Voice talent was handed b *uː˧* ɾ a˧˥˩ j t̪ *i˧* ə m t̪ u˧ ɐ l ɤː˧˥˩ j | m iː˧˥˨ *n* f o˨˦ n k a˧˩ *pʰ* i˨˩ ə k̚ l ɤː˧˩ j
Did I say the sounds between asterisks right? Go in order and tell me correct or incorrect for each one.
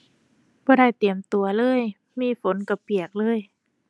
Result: incorrect, incorrect, incorrect, incorrect

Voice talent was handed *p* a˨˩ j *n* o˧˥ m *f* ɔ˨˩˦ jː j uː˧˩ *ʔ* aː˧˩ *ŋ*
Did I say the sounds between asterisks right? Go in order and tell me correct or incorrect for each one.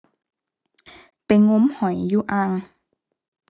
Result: correct, incorrect, incorrect, correct, correct

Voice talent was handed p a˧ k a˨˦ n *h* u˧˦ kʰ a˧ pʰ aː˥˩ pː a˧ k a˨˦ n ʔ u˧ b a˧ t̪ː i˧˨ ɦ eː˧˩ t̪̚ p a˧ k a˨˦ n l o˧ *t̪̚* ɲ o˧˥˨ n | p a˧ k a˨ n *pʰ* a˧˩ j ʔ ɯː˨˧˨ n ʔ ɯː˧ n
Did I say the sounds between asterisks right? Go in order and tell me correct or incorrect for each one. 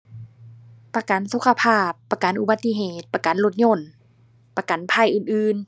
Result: incorrect, correct, correct

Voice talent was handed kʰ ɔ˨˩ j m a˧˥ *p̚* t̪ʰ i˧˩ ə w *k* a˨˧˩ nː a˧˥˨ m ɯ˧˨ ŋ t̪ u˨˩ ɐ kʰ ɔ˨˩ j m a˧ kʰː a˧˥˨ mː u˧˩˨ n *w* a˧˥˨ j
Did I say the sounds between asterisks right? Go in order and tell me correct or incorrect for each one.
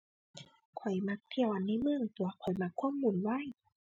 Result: incorrect, incorrect, correct

